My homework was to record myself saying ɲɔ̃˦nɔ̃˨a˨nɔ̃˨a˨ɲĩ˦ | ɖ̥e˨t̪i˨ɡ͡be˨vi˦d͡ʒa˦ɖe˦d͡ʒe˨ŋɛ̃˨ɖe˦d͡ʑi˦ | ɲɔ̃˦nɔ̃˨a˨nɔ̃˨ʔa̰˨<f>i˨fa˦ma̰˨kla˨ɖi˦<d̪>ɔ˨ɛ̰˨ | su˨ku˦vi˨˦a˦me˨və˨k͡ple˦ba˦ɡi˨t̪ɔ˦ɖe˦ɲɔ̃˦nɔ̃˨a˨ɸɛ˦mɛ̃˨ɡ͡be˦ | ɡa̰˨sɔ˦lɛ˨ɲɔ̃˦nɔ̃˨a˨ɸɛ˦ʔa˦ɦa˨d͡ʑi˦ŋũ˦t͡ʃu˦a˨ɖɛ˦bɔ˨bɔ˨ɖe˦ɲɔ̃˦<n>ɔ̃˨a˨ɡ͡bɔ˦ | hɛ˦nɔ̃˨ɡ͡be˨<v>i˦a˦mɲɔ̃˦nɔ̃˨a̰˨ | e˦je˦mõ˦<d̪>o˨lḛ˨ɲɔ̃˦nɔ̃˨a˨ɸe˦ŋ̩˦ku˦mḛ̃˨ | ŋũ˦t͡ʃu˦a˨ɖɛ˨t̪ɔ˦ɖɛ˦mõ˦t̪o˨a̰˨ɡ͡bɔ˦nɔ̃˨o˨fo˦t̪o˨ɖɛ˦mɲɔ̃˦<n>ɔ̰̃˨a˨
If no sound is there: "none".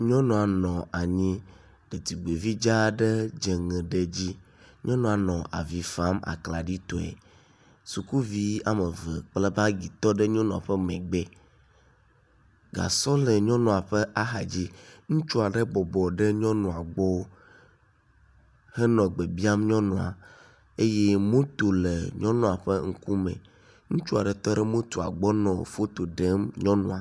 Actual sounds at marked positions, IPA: v, t̪, n, b, t̪, n

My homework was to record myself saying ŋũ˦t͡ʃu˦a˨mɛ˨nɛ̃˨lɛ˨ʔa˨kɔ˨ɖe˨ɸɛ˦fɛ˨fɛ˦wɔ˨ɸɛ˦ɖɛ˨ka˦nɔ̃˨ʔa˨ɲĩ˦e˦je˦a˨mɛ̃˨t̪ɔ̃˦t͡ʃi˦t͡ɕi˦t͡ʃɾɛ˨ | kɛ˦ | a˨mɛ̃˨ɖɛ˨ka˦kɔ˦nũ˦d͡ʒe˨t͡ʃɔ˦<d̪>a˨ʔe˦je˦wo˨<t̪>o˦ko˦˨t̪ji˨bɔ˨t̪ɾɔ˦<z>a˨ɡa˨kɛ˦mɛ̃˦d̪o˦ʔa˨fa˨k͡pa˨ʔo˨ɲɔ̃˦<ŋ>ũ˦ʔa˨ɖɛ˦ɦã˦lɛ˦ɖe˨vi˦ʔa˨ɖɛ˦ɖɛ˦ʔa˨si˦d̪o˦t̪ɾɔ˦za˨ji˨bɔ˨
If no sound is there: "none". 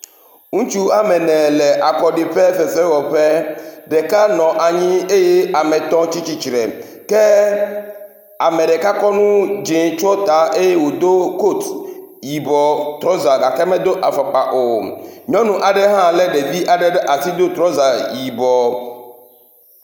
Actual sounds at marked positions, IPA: t̪, d̪, z, n

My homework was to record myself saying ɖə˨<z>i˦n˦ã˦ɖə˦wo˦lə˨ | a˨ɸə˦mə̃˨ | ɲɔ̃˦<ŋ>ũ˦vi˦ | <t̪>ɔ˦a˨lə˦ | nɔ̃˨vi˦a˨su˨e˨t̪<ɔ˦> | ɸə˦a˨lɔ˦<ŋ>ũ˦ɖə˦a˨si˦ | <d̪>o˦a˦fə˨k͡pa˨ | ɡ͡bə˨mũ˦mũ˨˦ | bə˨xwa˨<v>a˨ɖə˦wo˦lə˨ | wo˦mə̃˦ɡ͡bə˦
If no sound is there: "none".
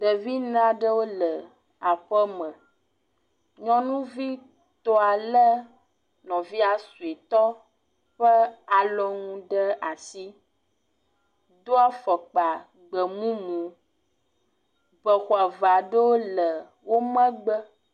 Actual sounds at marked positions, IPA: v, n, t̪, ɔ˦, ŋ, d̪, v

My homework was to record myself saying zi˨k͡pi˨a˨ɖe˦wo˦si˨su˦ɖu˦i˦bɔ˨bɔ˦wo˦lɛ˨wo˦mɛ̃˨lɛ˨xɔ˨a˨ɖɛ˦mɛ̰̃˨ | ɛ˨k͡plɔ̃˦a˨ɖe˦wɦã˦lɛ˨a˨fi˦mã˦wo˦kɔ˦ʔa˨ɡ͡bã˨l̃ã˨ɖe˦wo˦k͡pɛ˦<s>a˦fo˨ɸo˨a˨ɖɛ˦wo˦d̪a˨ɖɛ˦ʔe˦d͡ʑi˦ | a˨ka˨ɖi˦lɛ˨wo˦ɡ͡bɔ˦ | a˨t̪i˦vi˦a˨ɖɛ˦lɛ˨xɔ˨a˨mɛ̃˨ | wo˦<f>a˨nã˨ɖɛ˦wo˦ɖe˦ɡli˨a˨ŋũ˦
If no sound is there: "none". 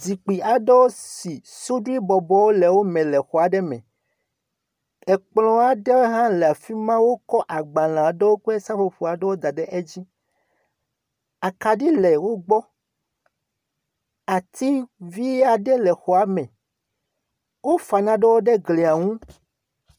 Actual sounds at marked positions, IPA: s, f

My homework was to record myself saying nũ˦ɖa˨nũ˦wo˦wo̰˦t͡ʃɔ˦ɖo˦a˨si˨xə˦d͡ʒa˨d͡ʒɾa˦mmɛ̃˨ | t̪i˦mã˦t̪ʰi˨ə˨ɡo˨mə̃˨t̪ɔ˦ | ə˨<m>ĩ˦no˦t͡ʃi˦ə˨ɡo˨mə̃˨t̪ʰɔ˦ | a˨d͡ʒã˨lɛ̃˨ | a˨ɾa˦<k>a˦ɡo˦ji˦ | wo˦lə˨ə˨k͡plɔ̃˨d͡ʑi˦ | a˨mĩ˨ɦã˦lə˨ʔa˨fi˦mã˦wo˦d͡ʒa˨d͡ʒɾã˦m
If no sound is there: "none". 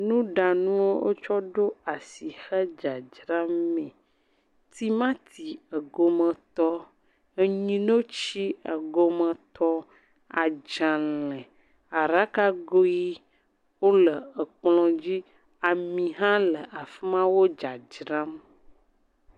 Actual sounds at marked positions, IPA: ɲ, k

